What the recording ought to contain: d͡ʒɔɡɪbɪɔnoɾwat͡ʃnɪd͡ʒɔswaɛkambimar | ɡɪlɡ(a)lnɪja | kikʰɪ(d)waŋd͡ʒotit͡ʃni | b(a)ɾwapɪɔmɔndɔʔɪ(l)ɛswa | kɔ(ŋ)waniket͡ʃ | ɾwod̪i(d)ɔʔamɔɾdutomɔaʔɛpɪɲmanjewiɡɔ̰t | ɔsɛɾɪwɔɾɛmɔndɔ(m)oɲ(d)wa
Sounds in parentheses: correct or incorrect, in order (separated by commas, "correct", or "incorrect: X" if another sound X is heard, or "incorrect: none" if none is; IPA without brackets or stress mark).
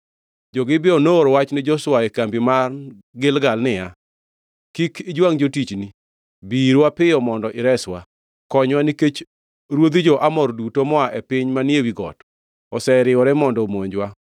correct, incorrect: d͡ʒ, incorrect: i, incorrect: ɾ, incorrect: ɲ, incorrect: d͡ʒ, correct, incorrect: d͡ʒ